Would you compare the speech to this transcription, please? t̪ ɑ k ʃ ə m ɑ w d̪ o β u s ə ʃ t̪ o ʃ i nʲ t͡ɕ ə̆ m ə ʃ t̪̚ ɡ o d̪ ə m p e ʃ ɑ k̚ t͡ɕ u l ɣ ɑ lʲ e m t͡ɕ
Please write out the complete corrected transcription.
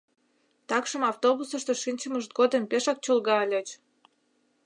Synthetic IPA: t̪ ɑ k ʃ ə m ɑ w t̪ o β u s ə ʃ t̪ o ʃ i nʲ t͡ɕ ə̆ m ə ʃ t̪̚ ɡ o d̪ ə m p e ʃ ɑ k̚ t͡ɕ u l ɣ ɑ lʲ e t͡ɕ